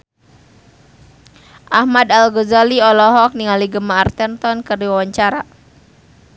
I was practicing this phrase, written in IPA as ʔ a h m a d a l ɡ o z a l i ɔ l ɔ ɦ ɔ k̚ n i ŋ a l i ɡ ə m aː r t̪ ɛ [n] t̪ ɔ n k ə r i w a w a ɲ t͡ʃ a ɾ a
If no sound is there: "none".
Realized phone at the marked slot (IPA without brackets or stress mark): n